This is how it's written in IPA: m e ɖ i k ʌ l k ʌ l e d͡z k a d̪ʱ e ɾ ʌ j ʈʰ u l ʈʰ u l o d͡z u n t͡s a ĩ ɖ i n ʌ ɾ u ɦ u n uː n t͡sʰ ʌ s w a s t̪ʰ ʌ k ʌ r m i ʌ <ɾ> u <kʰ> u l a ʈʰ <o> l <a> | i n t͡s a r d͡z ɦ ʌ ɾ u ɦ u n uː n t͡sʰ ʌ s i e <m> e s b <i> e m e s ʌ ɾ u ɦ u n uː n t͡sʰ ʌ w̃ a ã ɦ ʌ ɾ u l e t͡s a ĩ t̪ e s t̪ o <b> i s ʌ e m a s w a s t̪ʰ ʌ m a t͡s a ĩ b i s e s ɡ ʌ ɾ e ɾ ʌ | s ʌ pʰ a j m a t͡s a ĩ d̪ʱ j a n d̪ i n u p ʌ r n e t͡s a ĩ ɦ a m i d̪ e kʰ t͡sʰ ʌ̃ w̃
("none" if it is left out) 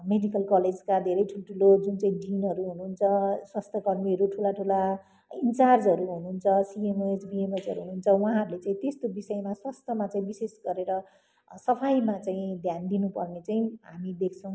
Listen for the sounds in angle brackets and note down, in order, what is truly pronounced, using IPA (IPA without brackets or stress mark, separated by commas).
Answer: ɾ, ʈʰ, u, a, m, i, b